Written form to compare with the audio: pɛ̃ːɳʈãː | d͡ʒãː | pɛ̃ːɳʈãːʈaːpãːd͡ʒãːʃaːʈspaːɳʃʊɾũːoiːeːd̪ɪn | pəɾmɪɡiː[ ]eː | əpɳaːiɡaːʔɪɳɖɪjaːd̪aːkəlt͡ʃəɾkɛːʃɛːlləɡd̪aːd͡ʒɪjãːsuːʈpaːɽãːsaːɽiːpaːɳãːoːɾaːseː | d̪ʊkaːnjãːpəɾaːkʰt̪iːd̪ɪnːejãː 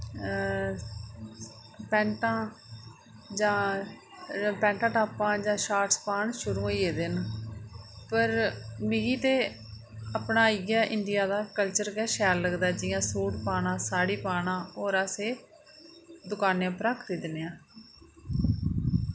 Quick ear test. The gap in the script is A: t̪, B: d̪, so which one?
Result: A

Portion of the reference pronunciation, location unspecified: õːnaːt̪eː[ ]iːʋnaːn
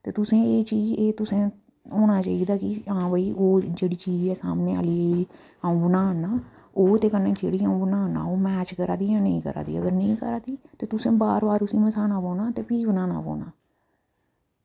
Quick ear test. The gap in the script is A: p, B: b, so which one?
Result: A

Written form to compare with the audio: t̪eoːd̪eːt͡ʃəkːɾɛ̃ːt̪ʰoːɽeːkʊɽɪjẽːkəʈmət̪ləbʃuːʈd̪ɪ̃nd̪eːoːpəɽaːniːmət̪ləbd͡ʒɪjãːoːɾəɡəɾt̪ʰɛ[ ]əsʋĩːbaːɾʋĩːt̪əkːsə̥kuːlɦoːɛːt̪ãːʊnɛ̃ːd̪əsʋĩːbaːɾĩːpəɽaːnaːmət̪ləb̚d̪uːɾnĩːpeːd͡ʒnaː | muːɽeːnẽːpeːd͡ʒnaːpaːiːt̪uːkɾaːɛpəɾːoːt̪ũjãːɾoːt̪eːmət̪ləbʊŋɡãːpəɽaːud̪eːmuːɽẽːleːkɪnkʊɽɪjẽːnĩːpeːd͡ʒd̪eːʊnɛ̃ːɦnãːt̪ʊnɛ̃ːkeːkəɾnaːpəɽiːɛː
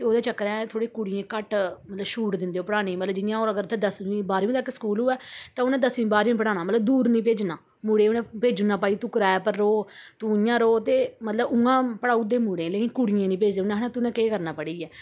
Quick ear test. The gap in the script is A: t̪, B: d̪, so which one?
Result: B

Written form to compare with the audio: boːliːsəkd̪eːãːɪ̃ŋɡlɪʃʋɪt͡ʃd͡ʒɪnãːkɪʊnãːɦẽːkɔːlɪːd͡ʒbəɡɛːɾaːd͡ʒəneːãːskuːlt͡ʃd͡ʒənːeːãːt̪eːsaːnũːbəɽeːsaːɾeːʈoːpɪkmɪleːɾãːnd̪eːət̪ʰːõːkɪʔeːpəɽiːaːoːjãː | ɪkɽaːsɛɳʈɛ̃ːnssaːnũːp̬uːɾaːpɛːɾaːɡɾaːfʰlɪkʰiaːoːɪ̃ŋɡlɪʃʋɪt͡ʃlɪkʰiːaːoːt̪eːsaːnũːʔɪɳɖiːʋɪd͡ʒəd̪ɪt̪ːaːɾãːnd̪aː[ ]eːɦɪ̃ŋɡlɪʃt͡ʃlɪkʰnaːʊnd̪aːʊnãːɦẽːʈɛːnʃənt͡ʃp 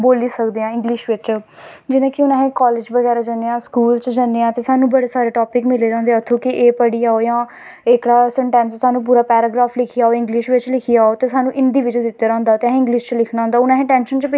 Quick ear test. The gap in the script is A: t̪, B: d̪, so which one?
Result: A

